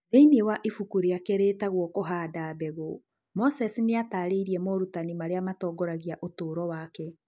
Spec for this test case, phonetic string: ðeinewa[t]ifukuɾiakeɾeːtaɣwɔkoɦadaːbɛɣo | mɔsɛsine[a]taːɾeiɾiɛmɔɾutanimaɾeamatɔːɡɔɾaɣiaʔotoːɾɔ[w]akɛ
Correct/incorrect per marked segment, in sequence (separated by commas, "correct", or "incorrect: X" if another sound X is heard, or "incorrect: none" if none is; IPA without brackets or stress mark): incorrect: ʔ, correct, correct